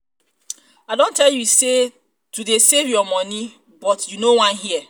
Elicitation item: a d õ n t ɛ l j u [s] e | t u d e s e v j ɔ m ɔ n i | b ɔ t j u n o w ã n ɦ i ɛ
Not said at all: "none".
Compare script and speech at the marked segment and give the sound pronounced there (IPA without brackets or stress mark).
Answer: s